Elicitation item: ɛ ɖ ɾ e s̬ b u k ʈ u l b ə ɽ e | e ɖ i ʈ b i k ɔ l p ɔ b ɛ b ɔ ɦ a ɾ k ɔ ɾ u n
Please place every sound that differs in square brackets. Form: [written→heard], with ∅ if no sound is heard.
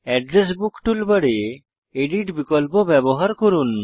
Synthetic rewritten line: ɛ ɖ ɾ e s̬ b u k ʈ u l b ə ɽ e | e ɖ i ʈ b i k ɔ l p ɔ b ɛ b ɔ ɦ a ɾ k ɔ ɾ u n